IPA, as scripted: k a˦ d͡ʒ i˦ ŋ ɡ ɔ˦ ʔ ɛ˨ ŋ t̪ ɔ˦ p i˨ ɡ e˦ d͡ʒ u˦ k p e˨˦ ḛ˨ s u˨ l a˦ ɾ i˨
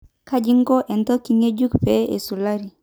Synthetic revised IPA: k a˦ d͡ʒ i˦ ŋ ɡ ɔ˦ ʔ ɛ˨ n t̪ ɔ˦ k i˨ ŋ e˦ d͡ʒ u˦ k p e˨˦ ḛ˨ s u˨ l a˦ ɾ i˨